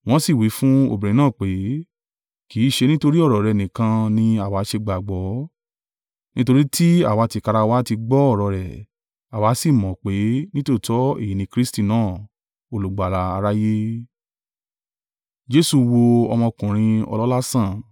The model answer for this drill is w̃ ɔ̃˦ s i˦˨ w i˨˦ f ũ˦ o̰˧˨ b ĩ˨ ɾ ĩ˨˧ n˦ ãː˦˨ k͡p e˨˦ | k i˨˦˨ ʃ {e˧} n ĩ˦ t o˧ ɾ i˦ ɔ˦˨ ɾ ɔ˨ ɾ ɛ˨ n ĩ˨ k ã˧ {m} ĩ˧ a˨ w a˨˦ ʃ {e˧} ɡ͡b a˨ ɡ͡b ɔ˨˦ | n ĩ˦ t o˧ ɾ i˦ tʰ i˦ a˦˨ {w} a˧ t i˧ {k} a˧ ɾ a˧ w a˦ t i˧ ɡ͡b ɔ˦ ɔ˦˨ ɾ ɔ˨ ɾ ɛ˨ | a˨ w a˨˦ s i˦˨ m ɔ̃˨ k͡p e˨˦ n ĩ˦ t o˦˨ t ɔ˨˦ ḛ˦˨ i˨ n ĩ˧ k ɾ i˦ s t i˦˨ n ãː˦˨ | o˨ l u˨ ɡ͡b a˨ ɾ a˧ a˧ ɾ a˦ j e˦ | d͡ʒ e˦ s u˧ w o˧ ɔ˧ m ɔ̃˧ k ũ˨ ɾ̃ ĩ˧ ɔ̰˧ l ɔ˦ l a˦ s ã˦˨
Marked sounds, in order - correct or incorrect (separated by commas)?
correct, incorrect, correct, correct, correct